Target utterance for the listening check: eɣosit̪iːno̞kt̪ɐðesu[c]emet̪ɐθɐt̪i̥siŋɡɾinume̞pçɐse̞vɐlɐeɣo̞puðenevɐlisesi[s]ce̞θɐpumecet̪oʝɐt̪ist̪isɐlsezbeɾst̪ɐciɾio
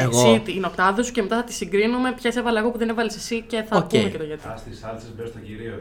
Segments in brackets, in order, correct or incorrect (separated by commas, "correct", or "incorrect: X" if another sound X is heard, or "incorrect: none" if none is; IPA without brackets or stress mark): correct, incorrect: none